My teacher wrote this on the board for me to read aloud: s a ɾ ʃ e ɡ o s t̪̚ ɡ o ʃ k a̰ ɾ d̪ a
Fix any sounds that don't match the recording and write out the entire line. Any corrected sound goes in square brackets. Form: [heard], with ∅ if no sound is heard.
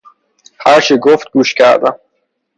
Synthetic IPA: [h] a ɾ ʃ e ɡ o [f] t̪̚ ɡ [u] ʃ k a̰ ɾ d̪ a